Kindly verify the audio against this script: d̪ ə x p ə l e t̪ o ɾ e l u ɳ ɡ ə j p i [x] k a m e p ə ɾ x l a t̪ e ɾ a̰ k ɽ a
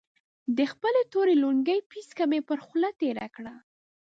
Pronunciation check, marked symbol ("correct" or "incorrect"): incorrect